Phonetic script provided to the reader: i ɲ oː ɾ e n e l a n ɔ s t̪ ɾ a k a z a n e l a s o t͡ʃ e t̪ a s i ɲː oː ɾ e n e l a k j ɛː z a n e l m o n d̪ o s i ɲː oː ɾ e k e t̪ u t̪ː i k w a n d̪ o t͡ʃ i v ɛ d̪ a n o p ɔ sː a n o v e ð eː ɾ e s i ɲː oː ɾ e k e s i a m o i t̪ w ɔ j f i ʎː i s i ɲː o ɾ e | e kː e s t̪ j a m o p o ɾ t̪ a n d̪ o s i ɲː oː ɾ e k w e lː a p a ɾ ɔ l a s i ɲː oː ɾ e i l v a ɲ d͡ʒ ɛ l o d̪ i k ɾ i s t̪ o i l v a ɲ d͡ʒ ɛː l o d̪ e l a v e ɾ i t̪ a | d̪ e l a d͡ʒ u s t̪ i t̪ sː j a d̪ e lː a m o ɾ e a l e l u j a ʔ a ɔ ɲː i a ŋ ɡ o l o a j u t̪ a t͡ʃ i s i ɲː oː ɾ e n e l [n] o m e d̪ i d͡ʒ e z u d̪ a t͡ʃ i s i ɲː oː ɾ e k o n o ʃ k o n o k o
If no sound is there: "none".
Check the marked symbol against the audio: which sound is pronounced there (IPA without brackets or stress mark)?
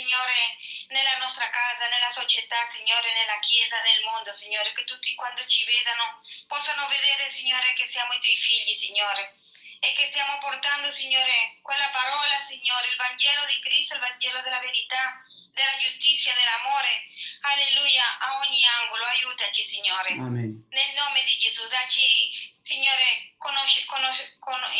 n